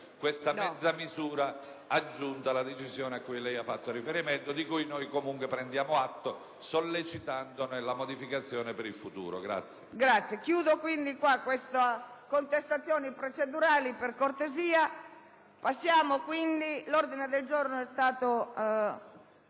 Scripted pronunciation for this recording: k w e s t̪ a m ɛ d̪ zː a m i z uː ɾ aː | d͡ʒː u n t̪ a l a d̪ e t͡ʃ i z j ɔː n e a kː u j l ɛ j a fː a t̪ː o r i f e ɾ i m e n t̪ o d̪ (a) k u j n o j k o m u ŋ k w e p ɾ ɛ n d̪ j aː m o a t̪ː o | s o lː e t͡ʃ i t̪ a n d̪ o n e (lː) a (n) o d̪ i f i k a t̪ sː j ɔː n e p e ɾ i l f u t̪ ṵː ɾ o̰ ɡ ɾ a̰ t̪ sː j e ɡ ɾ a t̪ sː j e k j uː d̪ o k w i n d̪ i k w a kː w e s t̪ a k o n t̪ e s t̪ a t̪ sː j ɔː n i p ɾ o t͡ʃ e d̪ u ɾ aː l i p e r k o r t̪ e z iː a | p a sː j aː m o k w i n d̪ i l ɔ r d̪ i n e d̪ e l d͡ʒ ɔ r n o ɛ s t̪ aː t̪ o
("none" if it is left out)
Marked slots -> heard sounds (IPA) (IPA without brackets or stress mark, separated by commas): i, l, m